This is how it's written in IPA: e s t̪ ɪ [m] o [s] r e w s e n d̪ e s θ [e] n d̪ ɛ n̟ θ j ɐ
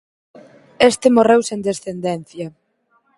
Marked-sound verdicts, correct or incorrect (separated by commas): correct, incorrect, correct